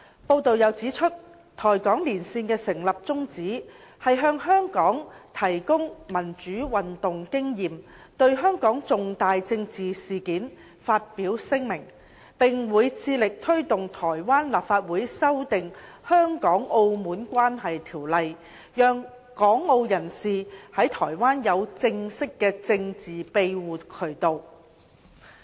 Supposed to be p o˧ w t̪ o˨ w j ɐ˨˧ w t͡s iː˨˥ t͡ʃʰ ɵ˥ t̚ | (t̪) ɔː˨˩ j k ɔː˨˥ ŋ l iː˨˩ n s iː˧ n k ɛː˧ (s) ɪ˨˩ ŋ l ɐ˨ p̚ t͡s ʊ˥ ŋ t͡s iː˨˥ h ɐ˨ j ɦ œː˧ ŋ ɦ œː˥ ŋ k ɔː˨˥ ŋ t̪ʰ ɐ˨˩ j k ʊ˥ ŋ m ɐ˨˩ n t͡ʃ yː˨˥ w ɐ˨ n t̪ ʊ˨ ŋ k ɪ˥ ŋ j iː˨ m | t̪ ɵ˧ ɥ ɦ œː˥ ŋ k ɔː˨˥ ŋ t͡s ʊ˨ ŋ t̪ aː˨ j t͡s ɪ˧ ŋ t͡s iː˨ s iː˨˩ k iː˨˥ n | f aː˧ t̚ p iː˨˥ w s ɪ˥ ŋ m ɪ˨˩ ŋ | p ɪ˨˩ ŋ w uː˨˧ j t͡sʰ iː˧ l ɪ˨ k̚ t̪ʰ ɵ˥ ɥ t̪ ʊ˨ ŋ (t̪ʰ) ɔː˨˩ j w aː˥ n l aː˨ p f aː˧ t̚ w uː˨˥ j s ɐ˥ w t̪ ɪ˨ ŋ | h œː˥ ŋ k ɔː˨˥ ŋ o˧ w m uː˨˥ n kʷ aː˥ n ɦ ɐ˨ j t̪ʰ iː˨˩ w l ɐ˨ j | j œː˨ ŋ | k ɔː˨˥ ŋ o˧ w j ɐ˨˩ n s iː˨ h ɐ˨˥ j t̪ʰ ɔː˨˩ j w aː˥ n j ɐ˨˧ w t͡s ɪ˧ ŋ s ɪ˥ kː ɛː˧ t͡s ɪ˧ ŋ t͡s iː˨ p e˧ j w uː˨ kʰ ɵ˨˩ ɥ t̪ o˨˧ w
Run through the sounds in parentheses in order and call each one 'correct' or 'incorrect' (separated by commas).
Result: incorrect, correct, correct